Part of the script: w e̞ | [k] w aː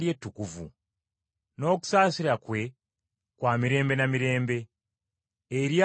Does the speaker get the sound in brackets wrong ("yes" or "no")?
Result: no